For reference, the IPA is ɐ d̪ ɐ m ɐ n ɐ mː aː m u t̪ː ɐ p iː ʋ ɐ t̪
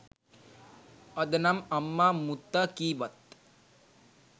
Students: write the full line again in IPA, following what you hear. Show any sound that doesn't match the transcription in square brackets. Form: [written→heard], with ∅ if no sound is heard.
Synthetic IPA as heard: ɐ d̪ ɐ [m→n] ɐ [n→m] ɐ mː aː m u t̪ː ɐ [p→k] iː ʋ ɐ t̪